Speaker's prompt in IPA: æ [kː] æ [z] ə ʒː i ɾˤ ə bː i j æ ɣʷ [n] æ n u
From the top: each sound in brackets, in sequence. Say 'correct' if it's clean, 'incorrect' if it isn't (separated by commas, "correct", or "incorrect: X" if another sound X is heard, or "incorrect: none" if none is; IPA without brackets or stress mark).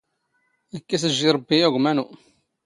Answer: correct, incorrect: s, incorrect: m